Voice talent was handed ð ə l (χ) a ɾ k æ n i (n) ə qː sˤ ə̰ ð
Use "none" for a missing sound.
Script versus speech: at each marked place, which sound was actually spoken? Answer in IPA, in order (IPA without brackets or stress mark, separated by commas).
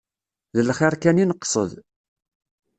χ, n